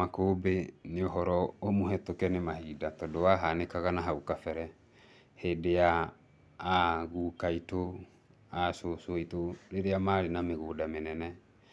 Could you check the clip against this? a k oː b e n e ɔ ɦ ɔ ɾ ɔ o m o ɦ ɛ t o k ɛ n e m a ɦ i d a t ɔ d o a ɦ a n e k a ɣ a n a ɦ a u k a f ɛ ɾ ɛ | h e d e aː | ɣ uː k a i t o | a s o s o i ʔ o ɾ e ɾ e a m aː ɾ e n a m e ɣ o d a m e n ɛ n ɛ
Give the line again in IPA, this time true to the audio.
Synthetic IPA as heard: a k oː b e n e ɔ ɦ ɔ ɾ ɔ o m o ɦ ɛ t o k ɛ n e m a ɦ i d a t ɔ d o a ɦ a n e k a ɣ a n a ɦ a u k a f ɛ ɾ ɛ | h e d e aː | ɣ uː k a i t o | a s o s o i t o ɾ e ɾ e a m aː ɾ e n a m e ɣ o d a m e n ɛ n ɛ